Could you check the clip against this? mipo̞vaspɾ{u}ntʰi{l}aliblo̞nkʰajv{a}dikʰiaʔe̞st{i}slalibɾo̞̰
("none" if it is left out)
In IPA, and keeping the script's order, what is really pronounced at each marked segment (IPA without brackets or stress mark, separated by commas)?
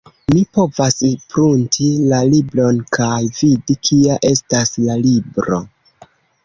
u, l, i, a